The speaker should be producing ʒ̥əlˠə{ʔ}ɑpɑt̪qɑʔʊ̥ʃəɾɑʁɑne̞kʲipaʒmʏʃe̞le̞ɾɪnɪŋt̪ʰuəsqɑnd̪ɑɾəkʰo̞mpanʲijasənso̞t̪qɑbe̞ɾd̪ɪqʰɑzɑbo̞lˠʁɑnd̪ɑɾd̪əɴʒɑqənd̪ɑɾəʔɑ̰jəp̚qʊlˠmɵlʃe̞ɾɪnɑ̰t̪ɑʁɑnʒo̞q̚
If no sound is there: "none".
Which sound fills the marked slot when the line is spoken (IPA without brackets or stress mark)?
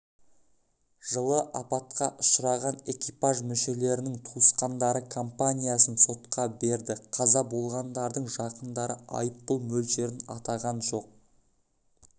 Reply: ʔ